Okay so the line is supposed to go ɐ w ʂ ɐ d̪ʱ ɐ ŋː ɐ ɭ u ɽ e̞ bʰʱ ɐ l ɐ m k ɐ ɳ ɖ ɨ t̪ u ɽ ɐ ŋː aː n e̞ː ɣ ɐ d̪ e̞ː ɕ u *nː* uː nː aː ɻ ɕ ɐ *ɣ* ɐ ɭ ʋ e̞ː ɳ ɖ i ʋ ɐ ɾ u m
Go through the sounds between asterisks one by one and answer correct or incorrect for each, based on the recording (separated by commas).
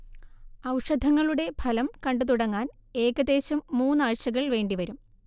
incorrect, correct